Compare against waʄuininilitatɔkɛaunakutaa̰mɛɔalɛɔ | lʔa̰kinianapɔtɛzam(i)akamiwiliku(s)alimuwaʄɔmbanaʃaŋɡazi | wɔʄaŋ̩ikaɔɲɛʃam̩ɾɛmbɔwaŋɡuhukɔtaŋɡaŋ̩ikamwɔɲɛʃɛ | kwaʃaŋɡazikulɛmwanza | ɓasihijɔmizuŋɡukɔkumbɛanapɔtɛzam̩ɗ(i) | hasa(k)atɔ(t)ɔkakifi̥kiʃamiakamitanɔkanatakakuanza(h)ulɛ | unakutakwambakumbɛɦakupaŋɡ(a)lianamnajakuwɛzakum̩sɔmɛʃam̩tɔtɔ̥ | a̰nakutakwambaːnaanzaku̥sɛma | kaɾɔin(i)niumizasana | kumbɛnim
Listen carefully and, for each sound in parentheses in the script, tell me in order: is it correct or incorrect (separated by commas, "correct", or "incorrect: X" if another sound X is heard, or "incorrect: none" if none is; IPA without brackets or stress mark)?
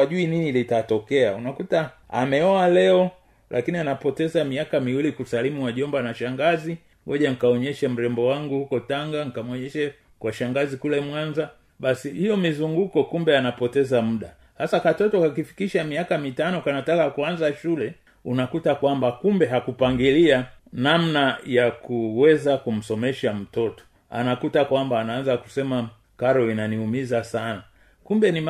correct, correct, incorrect: a, correct, correct, incorrect: ʃ, incorrect: i, incorrect: a